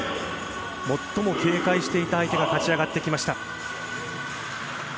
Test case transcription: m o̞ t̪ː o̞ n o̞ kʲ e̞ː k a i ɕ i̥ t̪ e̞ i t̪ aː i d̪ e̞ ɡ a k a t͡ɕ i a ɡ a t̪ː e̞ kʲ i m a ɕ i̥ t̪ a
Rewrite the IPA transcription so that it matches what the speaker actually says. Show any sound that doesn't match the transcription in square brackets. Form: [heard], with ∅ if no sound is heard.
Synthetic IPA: m o̞ t̪ː o̞ [m] o̞ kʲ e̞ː k a i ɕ i̥ t̪ e̞ i t̪ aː i [t̪] e̞ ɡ a k a t͡ɕ i a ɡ a t̪ː e̞ kʲ i m a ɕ i̥ t̪ a